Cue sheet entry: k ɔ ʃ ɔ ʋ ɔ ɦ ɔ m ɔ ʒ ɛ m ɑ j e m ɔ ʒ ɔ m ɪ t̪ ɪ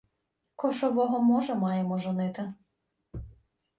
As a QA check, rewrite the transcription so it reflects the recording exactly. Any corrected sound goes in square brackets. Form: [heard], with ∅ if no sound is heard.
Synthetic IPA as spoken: k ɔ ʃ ɔ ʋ ɔ ɦ ɔ m ɔ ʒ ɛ m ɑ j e m ɔ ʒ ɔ [n] ɪ t̪ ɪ